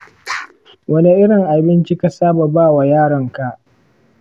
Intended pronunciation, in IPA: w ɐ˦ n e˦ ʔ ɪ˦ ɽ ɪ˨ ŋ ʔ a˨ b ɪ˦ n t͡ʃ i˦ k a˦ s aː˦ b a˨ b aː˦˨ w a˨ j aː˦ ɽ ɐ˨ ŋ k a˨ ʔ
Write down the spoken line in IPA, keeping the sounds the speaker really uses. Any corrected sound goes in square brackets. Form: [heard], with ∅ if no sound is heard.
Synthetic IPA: w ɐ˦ n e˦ ʔ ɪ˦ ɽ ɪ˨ ŋ ʔ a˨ b ɪ˦ n t͡ʃ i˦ k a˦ s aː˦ b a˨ b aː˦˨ w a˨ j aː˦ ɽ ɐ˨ ŋ k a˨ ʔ